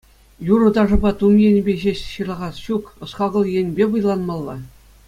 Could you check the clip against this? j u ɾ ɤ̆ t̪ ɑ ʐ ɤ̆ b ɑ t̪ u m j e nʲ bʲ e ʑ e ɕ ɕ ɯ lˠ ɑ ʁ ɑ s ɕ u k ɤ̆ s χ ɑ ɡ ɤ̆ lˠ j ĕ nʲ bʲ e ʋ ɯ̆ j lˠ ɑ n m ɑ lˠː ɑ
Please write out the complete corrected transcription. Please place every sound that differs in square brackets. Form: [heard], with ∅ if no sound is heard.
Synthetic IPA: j u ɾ ɤ̆ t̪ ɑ ʐ ɤ̆ b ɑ t̪ u m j e nʲ bʲ e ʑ e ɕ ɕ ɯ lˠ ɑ ʁ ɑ s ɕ u k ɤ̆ s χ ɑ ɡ ɤ̆ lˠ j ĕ nʲ bʲ e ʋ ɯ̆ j lˠ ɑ n m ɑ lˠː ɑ